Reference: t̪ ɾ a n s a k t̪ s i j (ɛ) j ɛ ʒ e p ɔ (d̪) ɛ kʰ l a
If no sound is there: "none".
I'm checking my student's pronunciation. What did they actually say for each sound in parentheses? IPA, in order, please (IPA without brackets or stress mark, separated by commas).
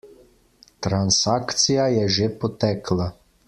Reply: a, t̪